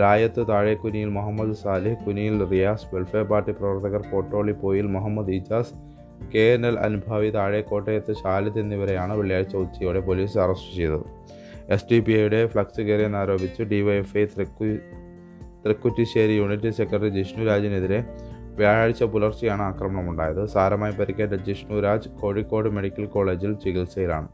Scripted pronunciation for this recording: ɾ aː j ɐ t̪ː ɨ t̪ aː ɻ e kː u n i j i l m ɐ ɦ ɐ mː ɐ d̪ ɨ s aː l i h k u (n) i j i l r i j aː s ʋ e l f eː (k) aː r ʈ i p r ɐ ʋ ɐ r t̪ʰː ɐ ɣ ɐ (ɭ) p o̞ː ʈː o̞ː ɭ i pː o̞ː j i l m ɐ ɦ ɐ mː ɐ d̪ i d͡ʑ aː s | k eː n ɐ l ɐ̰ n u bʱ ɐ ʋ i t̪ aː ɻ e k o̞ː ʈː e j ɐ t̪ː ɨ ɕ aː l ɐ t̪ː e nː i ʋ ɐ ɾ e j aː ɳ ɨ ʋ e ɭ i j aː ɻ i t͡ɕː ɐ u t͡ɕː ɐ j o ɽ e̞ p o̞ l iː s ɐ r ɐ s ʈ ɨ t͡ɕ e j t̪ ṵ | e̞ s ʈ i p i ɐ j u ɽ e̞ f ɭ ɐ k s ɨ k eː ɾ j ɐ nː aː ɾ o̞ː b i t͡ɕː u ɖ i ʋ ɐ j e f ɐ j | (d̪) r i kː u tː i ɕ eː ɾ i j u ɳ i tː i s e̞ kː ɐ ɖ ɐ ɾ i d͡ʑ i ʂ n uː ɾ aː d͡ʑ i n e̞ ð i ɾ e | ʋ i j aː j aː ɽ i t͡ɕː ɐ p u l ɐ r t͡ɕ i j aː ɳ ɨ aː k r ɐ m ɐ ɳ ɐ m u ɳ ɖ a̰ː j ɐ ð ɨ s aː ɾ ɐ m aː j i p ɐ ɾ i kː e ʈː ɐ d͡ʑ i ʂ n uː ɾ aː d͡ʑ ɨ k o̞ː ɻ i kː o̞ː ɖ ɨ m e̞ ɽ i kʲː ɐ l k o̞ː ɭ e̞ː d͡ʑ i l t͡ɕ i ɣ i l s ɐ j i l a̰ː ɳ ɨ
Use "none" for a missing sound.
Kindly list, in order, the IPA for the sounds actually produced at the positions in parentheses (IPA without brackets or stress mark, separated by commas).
n, p, r, t̪